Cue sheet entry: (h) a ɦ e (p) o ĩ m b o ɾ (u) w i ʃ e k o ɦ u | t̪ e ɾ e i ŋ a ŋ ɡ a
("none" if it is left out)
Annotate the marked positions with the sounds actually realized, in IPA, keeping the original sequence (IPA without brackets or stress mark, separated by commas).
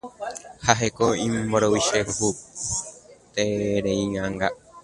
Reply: h, k, o